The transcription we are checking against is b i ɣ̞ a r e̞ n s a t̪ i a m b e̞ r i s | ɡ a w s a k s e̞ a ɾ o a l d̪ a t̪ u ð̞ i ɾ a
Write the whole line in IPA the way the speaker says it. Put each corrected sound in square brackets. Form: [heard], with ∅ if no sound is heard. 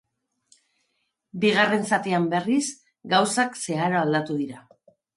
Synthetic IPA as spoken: b i ɣ̞ a r e̞ n s a t̪ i a m b e̞ r i s | ɡ a w s a k s e̞ a ɾ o a l d̪ a t̪ u ð̞ i ɾ a